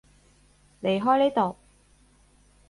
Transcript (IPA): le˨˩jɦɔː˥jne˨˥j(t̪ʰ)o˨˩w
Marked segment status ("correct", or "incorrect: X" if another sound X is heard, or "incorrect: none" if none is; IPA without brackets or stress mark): incorrect: t̪